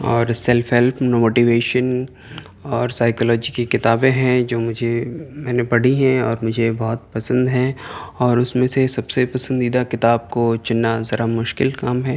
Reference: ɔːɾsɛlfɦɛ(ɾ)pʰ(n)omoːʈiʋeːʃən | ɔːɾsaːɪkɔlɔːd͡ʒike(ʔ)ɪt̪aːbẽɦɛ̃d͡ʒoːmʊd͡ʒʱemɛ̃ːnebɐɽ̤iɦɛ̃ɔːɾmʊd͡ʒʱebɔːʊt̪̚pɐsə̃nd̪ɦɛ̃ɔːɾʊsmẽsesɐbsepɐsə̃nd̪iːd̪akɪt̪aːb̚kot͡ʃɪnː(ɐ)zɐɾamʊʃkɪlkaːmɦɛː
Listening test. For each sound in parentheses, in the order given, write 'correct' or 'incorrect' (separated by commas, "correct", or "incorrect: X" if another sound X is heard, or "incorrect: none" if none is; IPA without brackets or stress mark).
incorrect: l, correct, incorrect: k, incorrect: a